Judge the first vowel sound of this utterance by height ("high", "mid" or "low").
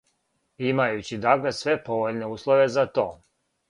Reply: high